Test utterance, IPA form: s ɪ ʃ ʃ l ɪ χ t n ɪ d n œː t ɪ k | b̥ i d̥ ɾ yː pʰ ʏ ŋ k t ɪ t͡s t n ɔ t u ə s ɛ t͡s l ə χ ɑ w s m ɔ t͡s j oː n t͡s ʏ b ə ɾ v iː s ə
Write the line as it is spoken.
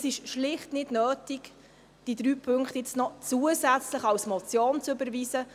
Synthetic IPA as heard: s ɪ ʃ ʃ l ɪ χ t n ɪ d n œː t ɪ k | d̥ i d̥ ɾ yː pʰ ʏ ŋ k t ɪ t͡s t n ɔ t͡s u ə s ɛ t͡s l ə χ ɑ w s m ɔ t͡s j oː n t͡s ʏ b ə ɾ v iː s ə